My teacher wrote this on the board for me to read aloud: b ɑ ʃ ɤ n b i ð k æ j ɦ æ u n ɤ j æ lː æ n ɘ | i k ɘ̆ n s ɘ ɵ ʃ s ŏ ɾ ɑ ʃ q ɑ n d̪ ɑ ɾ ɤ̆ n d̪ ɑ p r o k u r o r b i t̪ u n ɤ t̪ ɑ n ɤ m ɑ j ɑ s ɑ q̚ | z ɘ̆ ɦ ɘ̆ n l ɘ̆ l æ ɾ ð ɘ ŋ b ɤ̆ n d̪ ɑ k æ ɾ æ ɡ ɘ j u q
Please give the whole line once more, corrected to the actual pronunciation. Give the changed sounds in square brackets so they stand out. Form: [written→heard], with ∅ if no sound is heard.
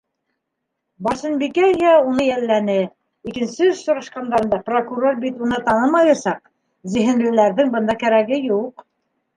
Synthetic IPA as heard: b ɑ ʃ ɤ n b i [ð→∅] k æ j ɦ æ u n ɤ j æ lː æ n ɘ | i k ɘ̆ n s ɘ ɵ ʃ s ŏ ɾ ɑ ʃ q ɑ n d̪ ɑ ɾ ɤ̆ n d̪ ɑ p r o k u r o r b i t̪ u n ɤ t̪ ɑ n ɤ m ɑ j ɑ s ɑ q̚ | z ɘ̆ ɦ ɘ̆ n l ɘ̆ l æ ɾ ð ɘ ŋ b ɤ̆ n d̪ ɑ k æ ɾ æ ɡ ɘ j u q